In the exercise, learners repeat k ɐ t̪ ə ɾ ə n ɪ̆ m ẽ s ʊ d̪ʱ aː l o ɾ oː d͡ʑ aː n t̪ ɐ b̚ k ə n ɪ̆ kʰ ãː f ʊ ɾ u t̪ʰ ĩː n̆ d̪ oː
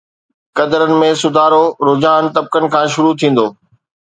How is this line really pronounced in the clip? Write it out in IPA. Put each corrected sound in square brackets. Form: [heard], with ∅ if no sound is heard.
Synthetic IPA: k ɐ [d̪] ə ɾ ə n ɪ̆ m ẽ s ʊ d̪ʱ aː [ɾ] o ɾ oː d͡ʑ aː n t̪ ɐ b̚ k ə n ɪ̆ kʰ ãː [ʃ] ʊ ɾ u t̪ʰ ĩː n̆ d̪ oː